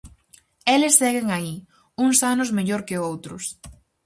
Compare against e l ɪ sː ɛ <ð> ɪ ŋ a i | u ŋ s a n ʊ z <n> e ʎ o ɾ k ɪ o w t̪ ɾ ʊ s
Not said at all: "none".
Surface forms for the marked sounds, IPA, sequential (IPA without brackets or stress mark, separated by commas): ɣ, m